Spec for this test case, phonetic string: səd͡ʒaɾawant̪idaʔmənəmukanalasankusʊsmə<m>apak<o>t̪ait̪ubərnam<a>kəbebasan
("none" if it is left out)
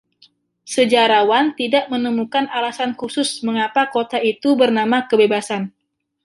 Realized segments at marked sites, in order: ŋ, o, a

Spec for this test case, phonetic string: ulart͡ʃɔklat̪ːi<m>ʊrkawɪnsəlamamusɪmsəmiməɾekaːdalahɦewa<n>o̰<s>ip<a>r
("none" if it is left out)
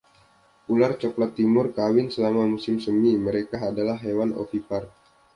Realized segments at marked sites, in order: m, n, f, a

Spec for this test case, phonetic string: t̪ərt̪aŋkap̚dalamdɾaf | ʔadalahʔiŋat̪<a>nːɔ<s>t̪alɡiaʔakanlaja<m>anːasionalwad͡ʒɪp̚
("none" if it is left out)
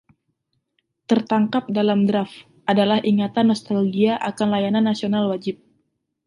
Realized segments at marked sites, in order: a, s, n

